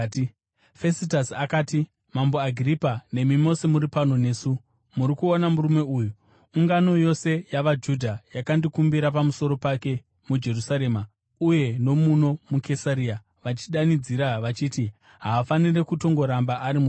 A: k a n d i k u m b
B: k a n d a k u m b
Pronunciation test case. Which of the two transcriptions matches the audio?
A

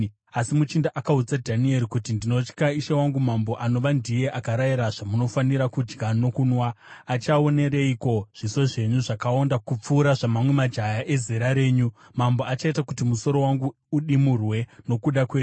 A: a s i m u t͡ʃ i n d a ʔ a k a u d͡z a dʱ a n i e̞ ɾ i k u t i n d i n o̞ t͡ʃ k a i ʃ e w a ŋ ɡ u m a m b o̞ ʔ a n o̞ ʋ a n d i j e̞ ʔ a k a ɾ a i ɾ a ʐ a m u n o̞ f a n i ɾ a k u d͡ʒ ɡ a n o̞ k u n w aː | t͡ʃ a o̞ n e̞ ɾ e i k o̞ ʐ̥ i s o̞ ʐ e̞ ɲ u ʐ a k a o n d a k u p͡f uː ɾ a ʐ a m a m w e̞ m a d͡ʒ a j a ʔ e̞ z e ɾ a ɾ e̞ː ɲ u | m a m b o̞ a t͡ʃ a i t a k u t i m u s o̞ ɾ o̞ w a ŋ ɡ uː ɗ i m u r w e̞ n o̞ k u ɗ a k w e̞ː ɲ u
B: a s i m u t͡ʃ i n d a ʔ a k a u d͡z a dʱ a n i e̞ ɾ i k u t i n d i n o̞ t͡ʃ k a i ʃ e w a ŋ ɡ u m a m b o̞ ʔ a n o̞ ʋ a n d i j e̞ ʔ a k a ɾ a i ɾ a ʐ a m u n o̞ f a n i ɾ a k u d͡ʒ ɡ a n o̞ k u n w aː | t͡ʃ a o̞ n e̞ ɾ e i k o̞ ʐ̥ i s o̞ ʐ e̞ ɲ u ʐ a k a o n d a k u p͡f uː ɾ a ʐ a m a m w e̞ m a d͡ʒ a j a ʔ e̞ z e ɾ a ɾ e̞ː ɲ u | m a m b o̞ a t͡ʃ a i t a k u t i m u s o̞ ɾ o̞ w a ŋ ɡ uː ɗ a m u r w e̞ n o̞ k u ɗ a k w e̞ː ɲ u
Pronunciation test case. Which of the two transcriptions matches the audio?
A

